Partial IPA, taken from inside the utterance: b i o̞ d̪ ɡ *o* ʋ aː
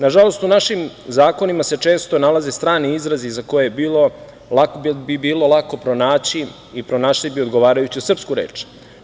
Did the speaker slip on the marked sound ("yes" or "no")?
no